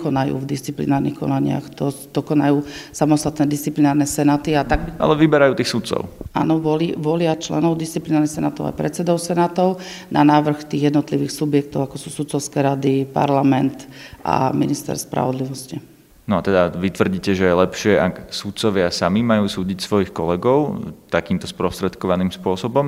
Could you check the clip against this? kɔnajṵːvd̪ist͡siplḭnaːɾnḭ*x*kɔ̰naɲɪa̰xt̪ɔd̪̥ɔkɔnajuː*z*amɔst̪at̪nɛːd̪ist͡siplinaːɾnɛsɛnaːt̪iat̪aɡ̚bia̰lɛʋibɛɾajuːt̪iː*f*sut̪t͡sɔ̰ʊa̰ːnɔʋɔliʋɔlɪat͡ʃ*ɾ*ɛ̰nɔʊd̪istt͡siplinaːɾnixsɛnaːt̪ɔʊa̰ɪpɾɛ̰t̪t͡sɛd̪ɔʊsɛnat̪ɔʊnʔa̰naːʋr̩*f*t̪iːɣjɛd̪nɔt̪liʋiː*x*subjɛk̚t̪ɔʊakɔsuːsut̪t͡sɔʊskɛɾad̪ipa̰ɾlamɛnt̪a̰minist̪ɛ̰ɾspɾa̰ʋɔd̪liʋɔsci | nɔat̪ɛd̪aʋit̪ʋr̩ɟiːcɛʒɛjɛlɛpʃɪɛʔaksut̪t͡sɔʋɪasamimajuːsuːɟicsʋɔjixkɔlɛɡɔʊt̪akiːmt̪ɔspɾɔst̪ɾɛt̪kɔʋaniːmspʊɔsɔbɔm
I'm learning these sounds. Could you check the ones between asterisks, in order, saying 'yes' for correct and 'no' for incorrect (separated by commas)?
yes, no, no, no, no, yes